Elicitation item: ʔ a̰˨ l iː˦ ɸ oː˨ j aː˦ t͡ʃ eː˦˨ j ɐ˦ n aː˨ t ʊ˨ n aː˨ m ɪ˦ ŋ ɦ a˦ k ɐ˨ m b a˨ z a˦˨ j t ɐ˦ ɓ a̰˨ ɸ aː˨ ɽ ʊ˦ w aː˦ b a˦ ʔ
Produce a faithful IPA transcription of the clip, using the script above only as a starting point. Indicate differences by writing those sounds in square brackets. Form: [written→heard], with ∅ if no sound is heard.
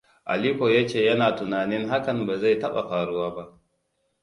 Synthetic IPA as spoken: ʔ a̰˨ l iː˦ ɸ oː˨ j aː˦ t͡ʃ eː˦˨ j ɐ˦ n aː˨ t ʊ˨ n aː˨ [m→n] ɪ˦ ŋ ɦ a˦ k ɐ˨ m b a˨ z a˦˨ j t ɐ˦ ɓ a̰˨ ɸ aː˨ ɽ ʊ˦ w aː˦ b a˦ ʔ